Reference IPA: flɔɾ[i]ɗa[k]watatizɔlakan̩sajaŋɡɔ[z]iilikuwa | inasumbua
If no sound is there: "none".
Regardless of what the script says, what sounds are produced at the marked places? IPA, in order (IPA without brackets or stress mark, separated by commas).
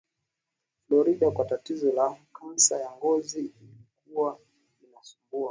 i, k, z